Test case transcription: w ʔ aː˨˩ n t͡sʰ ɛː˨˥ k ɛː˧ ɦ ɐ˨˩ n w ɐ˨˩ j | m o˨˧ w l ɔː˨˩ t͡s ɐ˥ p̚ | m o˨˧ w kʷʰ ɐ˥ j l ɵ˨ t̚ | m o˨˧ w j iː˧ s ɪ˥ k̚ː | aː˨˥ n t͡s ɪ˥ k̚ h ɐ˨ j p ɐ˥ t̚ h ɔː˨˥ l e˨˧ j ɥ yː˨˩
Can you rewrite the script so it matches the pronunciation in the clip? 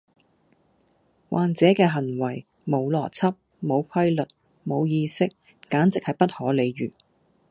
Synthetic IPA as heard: w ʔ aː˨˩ n t͡s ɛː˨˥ k ɛː˧ ɦ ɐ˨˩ n w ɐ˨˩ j | m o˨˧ w l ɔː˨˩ t͡sʰ ɐ˥ p̚ | m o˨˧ w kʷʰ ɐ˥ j l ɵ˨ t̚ | m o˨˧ w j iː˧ s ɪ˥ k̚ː | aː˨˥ n t͡s ɪ˨ k̚ h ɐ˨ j p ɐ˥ t̚ h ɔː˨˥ l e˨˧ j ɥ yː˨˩